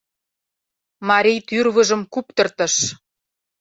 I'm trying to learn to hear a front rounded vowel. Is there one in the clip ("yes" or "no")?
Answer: yes